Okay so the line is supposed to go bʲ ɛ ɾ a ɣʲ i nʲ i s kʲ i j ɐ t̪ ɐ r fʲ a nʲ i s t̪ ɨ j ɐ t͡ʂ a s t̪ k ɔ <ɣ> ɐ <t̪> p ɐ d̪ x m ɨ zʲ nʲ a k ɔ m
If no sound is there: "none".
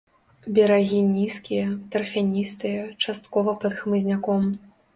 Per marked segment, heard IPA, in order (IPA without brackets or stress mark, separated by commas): v, none